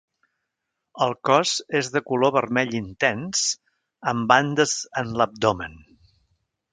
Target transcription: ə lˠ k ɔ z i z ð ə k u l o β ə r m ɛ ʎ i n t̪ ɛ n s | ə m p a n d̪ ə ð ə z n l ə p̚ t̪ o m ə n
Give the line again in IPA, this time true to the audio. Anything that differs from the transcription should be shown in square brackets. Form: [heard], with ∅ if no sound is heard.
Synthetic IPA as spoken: ə lˠ k ɔ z [e] z ð ə k u l o β ə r m ɛ ʎ i n t̪ ɛ n s | ə m [b] a n d̪ ə [z] ə [∅] n l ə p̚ [d̪] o m ə n